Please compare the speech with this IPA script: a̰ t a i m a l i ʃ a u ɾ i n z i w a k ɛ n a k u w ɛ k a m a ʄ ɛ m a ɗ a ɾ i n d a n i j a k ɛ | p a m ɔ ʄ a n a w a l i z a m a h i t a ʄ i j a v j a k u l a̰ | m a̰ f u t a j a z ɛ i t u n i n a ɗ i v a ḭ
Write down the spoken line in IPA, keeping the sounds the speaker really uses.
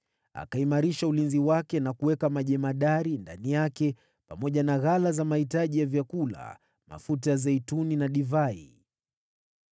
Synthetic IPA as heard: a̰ k a i m a ɾ i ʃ a u l i n z i w a k ɛ n a k u w ɛ k a m a ʄ ɛ m a ɗ a ɾ i n d a n i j a k ɛ | p a m ɔ ʄ a n a ɣ a l a z a m a h i t a ʄ i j a v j a k u l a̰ | m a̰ f u t a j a z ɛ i t u n i n a ɗ i v a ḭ